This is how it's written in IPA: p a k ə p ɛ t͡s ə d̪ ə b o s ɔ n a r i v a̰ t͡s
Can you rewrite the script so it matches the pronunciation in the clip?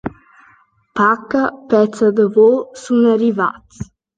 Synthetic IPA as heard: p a k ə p ɛ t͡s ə d̪ ə v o s u n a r i v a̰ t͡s